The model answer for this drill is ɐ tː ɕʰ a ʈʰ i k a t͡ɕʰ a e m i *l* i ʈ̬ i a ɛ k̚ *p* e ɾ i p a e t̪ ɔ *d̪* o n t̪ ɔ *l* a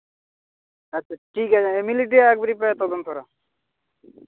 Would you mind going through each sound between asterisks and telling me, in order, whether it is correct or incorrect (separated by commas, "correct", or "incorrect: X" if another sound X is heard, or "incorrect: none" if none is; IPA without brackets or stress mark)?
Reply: correct, incorrect: b, correct, incorrect: ɾ